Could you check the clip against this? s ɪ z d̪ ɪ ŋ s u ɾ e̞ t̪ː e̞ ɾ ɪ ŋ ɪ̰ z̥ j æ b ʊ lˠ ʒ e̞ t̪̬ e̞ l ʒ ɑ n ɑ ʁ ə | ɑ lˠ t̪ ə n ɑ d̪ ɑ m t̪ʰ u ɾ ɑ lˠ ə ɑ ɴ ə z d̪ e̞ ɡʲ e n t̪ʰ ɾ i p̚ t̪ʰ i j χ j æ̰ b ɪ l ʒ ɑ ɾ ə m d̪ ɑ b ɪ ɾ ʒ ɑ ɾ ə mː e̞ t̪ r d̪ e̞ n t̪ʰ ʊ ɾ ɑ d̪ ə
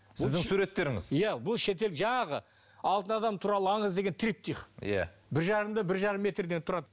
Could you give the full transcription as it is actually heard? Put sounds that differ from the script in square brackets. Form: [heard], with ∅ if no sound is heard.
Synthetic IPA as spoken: s ɪ z d̪ ɪ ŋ s u ɾ e̞ t̪ː e̞ ɾ ɪ ŋ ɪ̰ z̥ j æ b ʊ lˠ [ʃ] e̞ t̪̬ e̞ l ʒ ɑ [ɴ] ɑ ʁ ə | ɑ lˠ t̪ ə n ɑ d̪ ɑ m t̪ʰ u ɾ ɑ lˠ ə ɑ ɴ ə z d̪ e̞ ɡʲ e n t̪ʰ ɾ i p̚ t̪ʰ i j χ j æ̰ b ɪ [ɾ] ʒ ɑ ɾ ə m d̪ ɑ b ɪ ɾ ʒ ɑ ɾ ə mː e̞ t̪ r d̪ e̞ n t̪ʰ ʊ ɾ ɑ d̪ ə